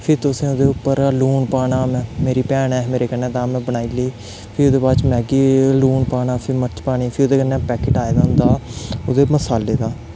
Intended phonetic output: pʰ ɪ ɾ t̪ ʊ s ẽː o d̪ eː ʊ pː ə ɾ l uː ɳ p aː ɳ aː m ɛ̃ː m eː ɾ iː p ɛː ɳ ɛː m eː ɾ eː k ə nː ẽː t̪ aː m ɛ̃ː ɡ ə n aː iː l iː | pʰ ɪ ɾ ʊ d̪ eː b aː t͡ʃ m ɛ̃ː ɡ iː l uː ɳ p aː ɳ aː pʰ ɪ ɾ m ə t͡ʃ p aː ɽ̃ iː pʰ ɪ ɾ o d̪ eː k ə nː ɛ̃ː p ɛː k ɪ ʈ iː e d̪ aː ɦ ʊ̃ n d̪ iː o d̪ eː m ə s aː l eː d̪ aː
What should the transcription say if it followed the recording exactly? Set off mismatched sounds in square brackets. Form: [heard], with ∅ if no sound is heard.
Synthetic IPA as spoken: pʰ ɪ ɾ t̪ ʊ s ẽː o d̪ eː ʊ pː ə ɾ l uː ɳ p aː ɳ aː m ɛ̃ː m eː ɾ iː p ɛː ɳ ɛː m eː ɾ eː k ə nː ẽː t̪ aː m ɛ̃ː [b] ə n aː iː l iː | pʰ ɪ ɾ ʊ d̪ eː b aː t͡ʃ m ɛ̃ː ɡ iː l uː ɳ p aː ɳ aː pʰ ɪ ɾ m ə t͡ʃ p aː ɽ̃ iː pʰ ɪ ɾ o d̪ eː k ə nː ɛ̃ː p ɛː k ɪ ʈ [aː] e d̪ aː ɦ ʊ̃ n d̪ [aː] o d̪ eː m ə s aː l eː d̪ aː